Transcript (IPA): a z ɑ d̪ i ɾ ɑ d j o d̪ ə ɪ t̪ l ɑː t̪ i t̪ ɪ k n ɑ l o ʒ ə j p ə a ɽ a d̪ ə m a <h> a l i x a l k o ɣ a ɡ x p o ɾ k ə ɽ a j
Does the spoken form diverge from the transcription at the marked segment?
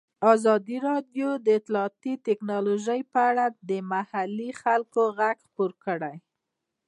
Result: no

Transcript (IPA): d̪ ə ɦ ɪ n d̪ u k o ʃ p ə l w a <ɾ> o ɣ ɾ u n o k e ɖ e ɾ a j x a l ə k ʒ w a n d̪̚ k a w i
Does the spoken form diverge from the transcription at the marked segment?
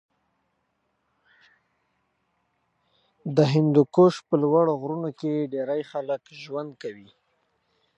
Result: yes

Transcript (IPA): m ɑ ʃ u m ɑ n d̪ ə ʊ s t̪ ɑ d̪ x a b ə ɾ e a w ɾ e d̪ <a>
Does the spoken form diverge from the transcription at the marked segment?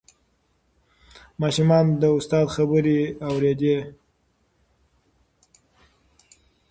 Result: yes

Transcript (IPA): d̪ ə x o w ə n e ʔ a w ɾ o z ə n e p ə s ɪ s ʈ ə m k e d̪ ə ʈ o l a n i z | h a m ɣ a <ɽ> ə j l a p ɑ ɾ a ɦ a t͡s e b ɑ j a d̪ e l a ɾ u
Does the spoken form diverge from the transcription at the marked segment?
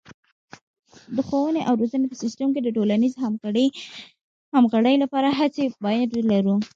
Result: no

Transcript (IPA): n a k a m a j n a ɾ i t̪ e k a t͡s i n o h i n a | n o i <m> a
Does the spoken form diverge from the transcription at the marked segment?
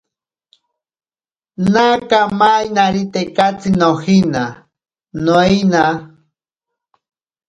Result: yes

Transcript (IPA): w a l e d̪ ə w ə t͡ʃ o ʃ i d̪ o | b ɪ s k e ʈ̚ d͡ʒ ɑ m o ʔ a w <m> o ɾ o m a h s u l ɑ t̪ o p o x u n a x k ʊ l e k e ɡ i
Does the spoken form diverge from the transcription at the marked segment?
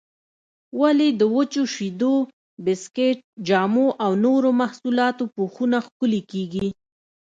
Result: yes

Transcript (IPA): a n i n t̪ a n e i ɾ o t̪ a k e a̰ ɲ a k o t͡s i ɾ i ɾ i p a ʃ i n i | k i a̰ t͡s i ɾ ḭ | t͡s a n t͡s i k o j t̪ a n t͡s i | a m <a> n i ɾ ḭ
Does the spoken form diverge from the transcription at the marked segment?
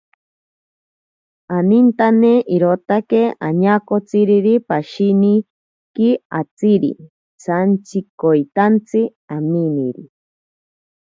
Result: yes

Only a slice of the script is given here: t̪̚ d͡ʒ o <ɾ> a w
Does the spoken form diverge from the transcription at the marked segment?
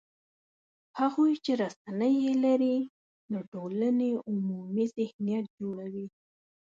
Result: yes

